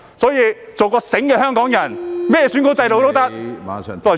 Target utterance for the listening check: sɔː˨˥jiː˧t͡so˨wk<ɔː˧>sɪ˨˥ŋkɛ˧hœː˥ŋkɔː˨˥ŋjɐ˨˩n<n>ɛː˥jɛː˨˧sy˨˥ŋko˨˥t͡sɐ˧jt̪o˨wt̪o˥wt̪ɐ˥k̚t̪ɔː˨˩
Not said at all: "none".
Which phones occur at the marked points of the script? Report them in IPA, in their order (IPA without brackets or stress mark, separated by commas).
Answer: ɔː˧, m